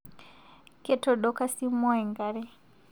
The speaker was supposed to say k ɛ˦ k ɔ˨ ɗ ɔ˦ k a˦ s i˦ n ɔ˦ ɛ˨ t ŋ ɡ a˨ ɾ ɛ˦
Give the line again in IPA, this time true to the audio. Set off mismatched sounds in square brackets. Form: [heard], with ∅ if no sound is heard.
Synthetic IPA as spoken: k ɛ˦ [t] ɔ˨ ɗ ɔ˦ k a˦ s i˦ [m] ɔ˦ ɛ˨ [∅] ŋ ɡ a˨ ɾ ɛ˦